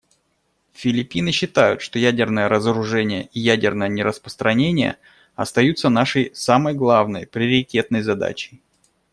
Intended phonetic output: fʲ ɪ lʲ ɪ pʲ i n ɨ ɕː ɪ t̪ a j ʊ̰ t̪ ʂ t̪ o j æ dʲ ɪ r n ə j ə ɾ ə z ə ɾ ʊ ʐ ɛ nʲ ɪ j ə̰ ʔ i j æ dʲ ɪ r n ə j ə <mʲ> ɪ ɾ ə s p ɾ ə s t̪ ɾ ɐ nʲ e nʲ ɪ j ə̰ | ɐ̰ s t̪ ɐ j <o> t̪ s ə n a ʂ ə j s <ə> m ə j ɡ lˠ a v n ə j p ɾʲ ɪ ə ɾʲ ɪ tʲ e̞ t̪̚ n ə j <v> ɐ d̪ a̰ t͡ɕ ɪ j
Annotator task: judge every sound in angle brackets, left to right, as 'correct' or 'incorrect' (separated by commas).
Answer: incorrect, incorrect, incorrect, incorrect